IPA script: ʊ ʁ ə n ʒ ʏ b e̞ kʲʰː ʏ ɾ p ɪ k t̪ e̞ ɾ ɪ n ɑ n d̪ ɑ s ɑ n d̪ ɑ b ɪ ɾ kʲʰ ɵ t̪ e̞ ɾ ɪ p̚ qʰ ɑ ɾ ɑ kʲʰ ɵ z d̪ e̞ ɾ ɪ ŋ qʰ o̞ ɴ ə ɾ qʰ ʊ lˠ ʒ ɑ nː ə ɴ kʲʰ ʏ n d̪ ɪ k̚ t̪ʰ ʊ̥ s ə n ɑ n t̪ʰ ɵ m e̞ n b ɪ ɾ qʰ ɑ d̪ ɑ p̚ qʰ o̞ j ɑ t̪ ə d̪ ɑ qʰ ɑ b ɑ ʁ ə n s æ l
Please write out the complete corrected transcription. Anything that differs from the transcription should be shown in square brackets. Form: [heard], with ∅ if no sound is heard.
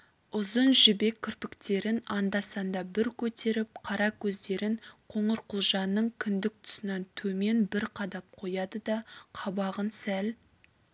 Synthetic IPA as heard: ʊ [z] ə n ʒ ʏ b e̞ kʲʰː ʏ ɾ p ɪ k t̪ e̞ ɾ ɪ n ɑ n d̪ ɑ s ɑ n d̪ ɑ b ɪ ɾ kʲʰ ɵ t̪ e̞ ɾ ɪ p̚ qʰ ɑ ɾ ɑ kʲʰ ɵ z d̪ e̞ ɾ ɪ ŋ qʰ o̞ ɴ ə ɾ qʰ ʊ lˠ ʒ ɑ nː ə ɴ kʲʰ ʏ n d̪ ɪ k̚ t̪ʰ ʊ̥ s ə n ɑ n t̪ʰ ɵ m e̞ n b ɪ ɾ qʰ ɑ d̪ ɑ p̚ qʰ o̞ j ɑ [d̪] ə d̪ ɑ qʰ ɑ b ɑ ʁ ə n s æ l